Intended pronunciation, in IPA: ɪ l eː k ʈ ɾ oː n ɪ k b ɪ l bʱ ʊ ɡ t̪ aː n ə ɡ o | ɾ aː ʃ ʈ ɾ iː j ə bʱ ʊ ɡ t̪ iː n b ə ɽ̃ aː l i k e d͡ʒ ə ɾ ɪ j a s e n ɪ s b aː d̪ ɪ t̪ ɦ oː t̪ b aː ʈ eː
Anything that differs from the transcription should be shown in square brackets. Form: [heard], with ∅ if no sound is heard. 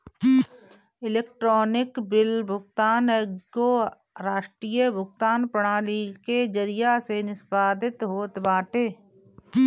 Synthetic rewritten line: ɪ l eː k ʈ ɾ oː n ɪ k b ɪ l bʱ ʊ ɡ t̪ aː n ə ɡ o | ɾ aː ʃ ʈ ɾ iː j ə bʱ ʊ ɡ t̪ [aː] n [p] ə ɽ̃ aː l i k e d͡ʒ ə ɾ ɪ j a s e n ɪ s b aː d̪ ɪ t̪ ɦ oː t̪ b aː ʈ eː